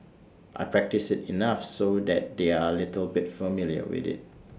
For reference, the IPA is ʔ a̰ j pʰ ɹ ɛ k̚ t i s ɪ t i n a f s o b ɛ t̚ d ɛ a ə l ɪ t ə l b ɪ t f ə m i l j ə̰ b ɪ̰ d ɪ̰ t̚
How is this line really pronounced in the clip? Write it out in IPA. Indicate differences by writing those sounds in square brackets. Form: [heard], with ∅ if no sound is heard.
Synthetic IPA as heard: ʔ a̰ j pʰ ɹ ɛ k̚ t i s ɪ t i n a f s o [d] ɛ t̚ d [e] a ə l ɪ t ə l b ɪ t f ə m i l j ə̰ [w] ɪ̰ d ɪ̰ t̚